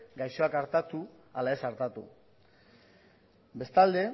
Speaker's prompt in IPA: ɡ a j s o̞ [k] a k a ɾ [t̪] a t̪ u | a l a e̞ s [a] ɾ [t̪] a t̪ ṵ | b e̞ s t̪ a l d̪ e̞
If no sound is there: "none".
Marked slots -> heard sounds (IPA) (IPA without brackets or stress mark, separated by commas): none, t̪, a, t̪